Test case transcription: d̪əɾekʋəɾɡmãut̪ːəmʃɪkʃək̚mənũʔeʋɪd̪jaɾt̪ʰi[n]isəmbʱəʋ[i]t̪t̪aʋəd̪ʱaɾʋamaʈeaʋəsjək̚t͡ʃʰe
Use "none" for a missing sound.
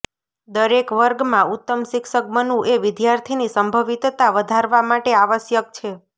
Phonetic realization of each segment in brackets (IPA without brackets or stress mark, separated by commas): n, i